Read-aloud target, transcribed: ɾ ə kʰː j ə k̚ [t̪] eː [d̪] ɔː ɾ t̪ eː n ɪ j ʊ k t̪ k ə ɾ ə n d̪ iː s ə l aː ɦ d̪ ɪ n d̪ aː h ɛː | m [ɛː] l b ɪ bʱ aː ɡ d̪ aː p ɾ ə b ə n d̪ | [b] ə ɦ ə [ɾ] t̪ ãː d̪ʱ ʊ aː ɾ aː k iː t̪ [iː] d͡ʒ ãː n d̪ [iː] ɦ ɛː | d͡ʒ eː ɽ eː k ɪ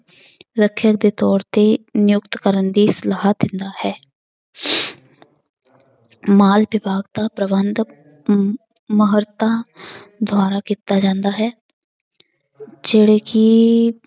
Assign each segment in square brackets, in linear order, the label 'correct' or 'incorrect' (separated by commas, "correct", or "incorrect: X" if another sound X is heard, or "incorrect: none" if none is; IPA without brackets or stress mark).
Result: incorrect: d̪, incorrect: t̪, incorrect: aː, incorrect: m, correct, incorrect: aː, incorrect: aː